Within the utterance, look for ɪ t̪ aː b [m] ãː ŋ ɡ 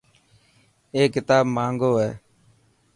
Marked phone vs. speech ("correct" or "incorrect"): correct